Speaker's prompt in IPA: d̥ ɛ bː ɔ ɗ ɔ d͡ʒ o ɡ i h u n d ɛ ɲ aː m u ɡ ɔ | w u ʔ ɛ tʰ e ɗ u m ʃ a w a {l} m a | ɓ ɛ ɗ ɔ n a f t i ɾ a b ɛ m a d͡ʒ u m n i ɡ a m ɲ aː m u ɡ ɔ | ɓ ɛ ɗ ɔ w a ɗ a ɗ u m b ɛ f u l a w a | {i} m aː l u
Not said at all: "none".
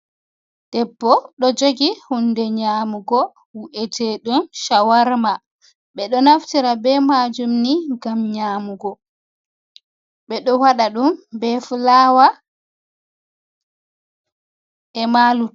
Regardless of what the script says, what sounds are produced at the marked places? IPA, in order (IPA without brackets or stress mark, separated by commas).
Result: ɾ, ɛ